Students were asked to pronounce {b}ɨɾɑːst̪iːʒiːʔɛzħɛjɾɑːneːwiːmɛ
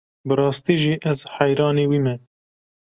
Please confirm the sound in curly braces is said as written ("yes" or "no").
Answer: yes